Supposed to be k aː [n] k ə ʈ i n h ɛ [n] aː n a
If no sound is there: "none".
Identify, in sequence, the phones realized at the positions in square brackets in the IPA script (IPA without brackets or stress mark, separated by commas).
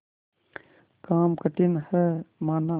m, m